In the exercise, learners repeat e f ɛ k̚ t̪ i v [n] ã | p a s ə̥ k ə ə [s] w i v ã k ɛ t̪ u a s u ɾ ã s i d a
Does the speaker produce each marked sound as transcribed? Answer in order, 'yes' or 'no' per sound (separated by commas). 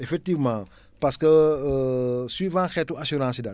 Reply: no, yes